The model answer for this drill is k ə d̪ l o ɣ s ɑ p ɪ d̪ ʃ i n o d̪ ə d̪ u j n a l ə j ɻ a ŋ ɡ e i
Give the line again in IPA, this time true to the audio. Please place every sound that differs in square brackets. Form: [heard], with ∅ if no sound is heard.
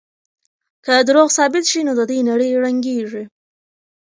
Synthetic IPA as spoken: k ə d̪ [ɾ] o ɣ s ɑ [b] ɪ [t̪] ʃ i n o d̪ ə d̪ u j n a [ɽ] ə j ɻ a ŋ ɡ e i

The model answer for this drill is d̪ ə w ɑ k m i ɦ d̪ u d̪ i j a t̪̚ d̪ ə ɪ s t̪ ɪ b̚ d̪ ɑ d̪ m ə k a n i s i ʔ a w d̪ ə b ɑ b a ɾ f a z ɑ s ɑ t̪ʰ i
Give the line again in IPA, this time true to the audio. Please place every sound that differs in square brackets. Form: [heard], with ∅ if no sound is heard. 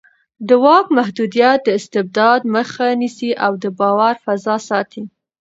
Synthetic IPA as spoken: d̪ ə w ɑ k m [a] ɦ d̪ u d̪ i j a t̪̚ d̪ ə ɪ s t̪ ɪ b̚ d̪ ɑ d̪ m ə [x] a n i s i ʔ a w d̪ ə b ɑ [w] a ɾ f a z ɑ s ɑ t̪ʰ i

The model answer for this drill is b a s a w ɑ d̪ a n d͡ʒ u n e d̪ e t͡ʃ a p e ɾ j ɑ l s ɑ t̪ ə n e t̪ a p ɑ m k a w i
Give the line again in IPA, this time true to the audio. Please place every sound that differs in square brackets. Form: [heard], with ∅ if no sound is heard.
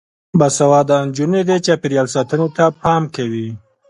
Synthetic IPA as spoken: b a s a w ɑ d̪ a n d͡ʒ u n e d̪ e t͡ʃ a p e ɾ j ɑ l s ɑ t̪ ə n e t̪ a p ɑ m k a w i

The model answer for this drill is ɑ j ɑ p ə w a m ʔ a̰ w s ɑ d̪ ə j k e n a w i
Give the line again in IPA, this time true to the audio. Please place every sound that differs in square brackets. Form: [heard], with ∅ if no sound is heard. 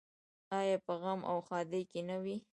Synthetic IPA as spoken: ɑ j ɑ p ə [ɣ] a m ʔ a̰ w [x] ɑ d̪ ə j k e n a w i

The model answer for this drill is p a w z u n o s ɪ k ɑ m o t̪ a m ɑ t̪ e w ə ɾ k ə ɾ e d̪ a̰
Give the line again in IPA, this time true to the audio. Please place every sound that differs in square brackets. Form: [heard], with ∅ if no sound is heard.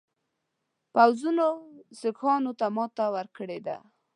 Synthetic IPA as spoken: p a w z u n o s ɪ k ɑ [n] o t̪ a m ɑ t̪ [a] w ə ɾ k ə [ɽ] e d̪ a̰

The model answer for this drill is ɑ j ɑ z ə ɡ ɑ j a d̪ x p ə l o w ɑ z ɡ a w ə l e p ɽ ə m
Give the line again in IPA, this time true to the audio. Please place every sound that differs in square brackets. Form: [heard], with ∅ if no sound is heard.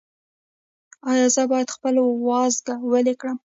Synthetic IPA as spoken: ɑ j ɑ z ə [b] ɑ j a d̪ x p ə l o w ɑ z ɡ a w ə l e [k] ɽ ə m

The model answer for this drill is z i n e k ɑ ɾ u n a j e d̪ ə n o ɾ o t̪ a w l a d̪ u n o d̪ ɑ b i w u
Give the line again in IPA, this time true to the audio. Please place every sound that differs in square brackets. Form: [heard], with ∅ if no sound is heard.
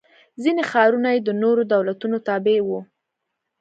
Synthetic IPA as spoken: z i n e [x] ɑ ɾ u n a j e d̪ ə n o ɾ o [d̪] a w l a [t̪] u n o [t̪] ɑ b [e] w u

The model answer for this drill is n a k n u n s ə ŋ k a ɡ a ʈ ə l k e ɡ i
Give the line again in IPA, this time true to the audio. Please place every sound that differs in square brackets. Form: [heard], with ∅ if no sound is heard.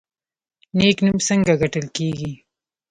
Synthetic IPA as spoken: n [e] k n u [m] s ə ŋ [ɡ] a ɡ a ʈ ə l k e ɡ i

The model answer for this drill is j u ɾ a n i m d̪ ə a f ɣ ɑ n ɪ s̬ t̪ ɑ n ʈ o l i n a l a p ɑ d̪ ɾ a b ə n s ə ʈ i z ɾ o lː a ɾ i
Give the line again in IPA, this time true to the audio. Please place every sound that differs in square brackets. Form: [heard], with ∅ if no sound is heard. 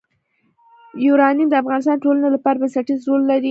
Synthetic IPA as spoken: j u ɾ [ɑ] n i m d̪ ə a f ɣ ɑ n ɪ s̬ t̪ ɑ n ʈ o l [a] n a l a p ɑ [∅] ɾ a b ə n s [a] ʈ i z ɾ o lː a ɾ i

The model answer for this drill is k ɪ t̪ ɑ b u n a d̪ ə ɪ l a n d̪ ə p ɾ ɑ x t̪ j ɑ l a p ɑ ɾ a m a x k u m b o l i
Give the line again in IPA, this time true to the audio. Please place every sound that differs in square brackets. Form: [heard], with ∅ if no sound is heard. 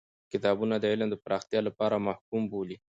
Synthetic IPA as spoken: k ɪ t̪ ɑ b u n a d̪ ə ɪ l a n d̪ ə p ɾ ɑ x t̪ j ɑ l a p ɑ ɾ a m a [h] k u m b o l i

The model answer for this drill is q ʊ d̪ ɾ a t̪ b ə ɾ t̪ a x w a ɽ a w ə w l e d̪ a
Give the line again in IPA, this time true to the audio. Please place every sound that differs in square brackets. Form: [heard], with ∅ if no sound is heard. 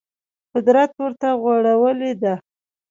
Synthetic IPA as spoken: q ʊ d̪ ɾ a t̪ [w] ə ɾ t̪ a [ɣ] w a ɽ a w ə [∅] l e d̪ a

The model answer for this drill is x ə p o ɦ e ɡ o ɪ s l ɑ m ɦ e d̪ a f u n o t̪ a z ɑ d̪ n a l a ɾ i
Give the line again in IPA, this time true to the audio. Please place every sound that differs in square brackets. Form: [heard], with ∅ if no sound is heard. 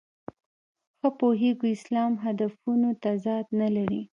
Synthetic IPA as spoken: x ə p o ɦ e ɡ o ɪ s l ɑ m ɦ [a] d̪ a f u n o t̪ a z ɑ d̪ n a l a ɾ i

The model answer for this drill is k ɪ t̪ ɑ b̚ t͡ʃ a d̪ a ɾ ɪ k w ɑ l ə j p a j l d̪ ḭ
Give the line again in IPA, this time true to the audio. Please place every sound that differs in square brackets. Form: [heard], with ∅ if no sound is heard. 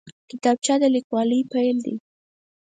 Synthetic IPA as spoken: k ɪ t̪ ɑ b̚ t͡ʃ a d̪ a [l] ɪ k w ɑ l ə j p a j l d̪ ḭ

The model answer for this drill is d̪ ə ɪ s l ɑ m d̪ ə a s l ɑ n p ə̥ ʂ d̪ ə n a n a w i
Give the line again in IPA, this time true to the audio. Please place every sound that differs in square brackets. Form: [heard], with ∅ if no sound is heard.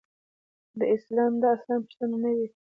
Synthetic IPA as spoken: d̪ ə ɪ s l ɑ m d̪ [ɑ] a s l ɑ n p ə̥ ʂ [t̪] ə n a n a w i

